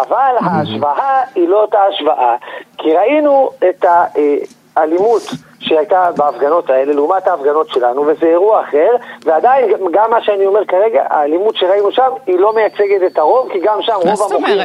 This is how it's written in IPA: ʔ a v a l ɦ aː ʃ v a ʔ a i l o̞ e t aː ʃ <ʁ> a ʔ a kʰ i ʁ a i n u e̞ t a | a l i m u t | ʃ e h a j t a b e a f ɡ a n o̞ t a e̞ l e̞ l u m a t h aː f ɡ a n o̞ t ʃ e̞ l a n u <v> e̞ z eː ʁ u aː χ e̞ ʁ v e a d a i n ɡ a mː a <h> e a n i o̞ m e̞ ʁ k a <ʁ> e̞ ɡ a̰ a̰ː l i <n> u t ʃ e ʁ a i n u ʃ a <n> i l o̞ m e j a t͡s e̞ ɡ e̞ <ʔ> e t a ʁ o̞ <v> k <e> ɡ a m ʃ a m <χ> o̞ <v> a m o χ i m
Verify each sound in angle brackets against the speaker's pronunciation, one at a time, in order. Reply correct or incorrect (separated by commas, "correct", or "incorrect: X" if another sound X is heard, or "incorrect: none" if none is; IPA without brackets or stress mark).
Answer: incorrect: v, correct, incorrect: ʃ, correct, incorrect: m, incorrect: m, incorrect: t, correct, incorrect: i, incorrect: ʁ, correct